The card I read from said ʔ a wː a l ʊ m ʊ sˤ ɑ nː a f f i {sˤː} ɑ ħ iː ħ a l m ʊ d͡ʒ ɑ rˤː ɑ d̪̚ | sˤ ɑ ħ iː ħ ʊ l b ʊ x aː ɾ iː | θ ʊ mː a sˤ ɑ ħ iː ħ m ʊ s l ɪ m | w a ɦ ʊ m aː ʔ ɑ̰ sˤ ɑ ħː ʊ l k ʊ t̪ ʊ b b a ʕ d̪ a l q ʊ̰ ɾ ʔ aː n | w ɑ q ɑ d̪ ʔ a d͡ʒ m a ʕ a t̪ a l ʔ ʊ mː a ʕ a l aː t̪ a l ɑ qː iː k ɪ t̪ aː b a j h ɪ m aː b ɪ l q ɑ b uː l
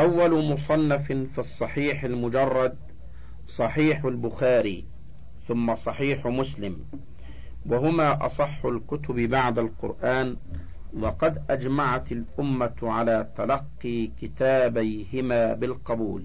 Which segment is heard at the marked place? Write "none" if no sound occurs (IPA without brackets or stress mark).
sˤː